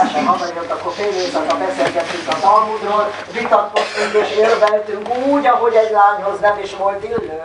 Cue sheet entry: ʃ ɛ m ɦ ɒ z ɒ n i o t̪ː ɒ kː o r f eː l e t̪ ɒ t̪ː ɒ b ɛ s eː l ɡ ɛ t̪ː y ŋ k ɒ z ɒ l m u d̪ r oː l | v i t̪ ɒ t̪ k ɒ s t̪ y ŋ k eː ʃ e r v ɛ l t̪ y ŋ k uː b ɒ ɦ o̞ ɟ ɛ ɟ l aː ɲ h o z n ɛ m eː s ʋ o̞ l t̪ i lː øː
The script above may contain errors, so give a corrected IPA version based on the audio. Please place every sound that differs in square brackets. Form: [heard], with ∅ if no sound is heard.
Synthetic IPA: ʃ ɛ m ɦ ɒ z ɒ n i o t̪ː ɒ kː o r f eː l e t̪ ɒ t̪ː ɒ b ɛ s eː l ɡ ɛ t̪ː y ŋ k ɒ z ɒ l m u d̪ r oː l | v i t̪ ɒ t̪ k [o] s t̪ y ŋ k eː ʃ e r v ɛ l t̪ y ŋ k uː [ɟ] ɒ ɦ o̞ ɟ ɛ ɟ l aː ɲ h o z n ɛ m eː [ʃ] ʋ o̞ l t̪ i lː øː